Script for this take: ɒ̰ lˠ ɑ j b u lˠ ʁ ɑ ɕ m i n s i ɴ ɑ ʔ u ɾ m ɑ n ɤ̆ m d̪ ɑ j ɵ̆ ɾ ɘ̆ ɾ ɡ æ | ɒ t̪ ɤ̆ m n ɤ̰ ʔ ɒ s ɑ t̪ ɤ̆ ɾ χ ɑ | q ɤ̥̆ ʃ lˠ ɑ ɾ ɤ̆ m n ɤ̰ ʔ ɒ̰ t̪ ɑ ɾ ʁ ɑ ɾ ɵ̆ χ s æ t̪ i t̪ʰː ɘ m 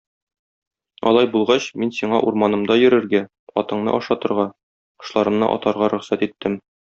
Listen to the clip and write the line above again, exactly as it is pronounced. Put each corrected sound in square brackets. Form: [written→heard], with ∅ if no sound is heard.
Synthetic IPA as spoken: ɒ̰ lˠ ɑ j b u lˠ ʁ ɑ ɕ m i n s i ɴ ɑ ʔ u ɾ m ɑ n ɤ̆ m d̪ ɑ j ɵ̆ ɾ ɘ̆ ɾ ɡ æ | ɒ t̪ ɤ̆ [m→ɴ] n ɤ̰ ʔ ɒ [s→ʃ] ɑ t̪ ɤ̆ ɾ [χ→ʁ] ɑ | q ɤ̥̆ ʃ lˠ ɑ ɾ ɤ̆ m n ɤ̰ ʔ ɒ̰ t̪ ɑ ɾ ʁ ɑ ɾ ɵ̆ χ s æ t̪ i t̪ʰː ɘ m

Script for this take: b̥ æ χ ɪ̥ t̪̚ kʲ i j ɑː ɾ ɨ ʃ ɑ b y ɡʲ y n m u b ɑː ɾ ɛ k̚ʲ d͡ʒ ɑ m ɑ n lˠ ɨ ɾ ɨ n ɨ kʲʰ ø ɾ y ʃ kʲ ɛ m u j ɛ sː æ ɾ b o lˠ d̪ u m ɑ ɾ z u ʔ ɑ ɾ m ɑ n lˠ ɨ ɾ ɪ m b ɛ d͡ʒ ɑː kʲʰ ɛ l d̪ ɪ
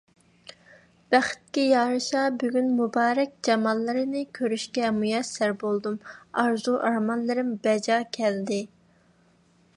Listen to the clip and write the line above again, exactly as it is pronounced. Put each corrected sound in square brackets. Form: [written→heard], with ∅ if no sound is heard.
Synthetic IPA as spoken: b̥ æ χ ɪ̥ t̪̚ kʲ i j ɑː ɾ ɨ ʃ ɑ b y ɡʲ y n m u b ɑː ɾ ɛ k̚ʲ d͡ʒ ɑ m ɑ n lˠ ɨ ɾ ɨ n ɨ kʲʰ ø ɾ y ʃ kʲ ɛ m u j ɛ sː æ ɾ b o lˠ d̪ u m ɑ ɾ z u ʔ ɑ ɾ m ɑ n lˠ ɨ ɾ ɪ m b ɛ d͡ʒ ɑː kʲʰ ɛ l d̪ ɪ

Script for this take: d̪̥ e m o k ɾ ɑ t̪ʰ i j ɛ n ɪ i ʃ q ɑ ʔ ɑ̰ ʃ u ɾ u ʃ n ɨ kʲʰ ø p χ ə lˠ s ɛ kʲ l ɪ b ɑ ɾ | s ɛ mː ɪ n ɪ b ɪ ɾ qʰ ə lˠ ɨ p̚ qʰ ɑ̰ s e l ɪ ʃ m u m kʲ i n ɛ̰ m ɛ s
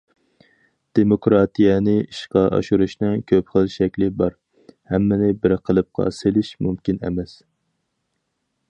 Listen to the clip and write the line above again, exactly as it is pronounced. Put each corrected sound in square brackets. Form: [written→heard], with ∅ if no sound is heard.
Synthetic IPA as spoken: d̪̥ e m o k ɾ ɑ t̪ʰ i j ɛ n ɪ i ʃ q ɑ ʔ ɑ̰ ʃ u ɾ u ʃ n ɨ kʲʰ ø p χ ə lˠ [s→ʃ] ɛ kʲ l ɪ b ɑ ɾ | [s→h] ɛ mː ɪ n ɪ b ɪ ɾ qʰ ə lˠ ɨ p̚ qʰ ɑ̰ s e l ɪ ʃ m u m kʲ i n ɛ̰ m ɛ s

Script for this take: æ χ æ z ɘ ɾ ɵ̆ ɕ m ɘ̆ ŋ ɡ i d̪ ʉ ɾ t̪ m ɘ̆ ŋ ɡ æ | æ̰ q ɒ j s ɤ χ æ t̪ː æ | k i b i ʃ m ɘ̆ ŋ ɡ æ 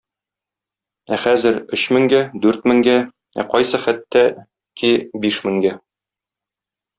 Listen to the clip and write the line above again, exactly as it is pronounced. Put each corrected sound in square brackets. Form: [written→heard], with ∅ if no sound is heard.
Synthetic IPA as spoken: æ χ æ z ɘ ɾ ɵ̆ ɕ m ɘ̆ ŋ ɡ [i→æ] d̪ ʉ ɾ t̪ m ɘ̆ ŋ ɡ æ | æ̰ q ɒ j s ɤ χ æ t̪ː æ | k i b i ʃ m ɘ̆ ŋ ɡ æ

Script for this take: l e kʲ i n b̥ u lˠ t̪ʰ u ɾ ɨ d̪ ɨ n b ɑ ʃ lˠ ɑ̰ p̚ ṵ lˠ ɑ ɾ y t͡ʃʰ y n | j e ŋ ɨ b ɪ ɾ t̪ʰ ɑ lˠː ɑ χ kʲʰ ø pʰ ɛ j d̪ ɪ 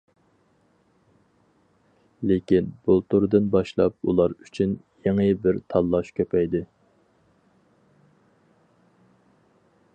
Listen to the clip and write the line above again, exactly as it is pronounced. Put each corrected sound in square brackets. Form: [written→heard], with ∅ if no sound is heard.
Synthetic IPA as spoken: l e kʲ i n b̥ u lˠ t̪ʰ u ɾ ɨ d̪ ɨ n b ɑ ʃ lˠ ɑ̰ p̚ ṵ lˠ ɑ ɾ y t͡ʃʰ y n | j e ŋ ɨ b ɪ ɾ t̪ʰ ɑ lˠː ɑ [χ→ʃ] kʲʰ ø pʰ ɛ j d̪ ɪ

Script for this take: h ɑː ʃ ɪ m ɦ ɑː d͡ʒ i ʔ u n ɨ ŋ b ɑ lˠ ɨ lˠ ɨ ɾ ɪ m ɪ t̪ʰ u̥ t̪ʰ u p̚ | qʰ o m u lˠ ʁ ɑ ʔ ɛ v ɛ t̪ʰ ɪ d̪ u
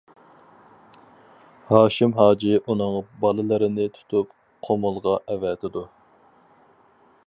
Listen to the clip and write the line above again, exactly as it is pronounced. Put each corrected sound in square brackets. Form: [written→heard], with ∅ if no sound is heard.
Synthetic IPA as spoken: h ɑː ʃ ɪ m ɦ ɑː d͡ʒ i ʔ u n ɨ ŋ b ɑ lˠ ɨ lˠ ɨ ɾ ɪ [m→n] ɪ t̪ʰ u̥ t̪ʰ u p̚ | qʰ o m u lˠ ʁ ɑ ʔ ɛ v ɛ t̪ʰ ɪ d̪ u

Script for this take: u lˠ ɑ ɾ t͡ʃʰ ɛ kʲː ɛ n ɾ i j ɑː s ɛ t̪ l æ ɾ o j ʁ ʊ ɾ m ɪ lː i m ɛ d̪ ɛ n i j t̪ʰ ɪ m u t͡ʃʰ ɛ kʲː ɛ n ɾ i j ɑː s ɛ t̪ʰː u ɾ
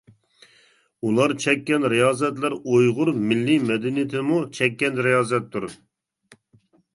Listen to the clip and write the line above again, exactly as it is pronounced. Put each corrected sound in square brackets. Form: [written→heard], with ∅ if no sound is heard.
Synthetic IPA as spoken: u lˠ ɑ ɾ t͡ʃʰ ɛ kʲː ɛ n ɾ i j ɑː [s→z] ɛ t̪ l æ ɾ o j ʁ ʊ ɾ m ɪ lː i m ɛ d̪ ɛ n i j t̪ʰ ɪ m u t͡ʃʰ ɛ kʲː ɛ n ɾ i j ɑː [s→z] ɛ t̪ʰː u ɾ

